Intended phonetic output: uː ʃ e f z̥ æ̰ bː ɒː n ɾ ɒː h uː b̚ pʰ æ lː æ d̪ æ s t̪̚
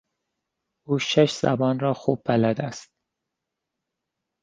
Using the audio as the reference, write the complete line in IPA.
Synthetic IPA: uː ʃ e ʃ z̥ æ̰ b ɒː n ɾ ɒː x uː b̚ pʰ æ l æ d̪ æ s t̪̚